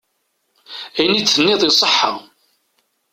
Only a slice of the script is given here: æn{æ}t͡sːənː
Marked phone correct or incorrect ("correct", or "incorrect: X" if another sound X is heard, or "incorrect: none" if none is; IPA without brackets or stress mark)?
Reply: incorrect: i